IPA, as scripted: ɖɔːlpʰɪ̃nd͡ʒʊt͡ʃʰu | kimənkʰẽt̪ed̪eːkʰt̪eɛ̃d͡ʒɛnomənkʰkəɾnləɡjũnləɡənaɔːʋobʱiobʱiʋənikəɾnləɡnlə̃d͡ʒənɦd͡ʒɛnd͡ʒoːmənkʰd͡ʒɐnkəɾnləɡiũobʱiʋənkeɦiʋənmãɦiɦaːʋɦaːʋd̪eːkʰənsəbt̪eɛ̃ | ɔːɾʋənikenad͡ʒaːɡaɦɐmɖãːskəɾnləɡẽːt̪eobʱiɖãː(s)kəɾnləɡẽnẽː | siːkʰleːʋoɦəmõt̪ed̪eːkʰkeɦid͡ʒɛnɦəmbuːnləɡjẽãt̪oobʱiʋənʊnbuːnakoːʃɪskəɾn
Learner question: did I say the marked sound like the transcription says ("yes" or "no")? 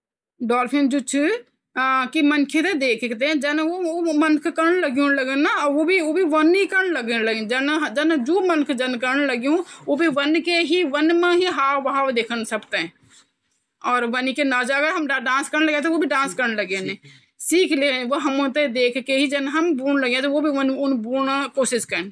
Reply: yes